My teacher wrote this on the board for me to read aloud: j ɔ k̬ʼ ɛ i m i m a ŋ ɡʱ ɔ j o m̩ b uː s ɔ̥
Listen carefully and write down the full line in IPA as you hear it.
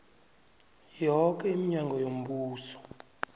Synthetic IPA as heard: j ɔ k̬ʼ ɛ i m i ɲ a ŋ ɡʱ ɔ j o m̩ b uː s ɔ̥